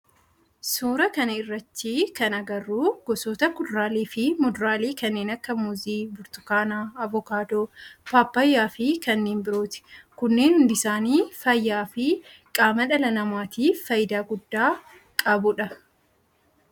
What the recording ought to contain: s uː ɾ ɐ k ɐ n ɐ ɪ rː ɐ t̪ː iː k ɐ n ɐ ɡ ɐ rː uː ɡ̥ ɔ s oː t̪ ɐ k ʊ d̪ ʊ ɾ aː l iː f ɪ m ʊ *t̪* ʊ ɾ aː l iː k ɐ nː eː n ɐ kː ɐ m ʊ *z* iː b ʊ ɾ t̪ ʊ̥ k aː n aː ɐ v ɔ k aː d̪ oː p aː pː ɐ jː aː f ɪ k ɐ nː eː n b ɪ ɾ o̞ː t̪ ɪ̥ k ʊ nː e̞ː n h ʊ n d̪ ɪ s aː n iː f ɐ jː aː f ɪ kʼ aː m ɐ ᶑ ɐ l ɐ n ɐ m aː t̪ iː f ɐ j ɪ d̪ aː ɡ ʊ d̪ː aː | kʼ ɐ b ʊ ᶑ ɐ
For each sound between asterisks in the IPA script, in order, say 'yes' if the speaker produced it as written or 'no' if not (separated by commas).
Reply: no, yes